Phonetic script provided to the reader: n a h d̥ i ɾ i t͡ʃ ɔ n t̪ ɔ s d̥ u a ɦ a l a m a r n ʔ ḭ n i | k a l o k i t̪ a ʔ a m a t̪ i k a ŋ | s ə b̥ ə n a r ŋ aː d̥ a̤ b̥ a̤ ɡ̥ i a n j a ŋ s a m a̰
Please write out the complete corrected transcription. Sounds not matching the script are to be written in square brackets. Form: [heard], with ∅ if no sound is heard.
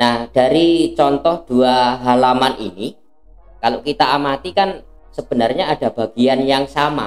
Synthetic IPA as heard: n a h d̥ [a] ɾ i t͡ʃ ɔ n t̪ ɔ [h] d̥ u a ɦ a l a m a [∅] n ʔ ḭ n i | k a l o k i t̪ a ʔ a m a t̪ i k a [n] | s ə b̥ ə n a r [ɲ] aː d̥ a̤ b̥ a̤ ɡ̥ i a n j a ŋ s a m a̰